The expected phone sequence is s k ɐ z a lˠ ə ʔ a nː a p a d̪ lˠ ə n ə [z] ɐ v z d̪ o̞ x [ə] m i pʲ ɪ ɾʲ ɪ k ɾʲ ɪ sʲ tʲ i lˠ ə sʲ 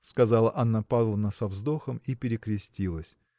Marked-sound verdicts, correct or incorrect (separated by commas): incorrect, correct